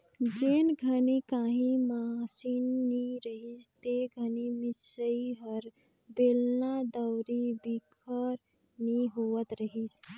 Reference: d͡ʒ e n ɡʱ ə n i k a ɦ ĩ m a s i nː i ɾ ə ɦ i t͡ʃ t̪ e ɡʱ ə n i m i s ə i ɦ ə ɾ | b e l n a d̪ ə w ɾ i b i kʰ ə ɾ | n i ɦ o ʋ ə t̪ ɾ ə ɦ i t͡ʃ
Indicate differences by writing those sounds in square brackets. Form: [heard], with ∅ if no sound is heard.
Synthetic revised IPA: d͡ʒ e n ɡʱ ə n i k a ɦ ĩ m a s i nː i ɾ ə ɦ i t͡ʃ t̪ e ɡʱ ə n i m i s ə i ɦ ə ɾ | b e l n a d̪ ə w ɾ i b i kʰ ə ɾ | n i ɦ o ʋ ə t̪ ɾ ə ɦ i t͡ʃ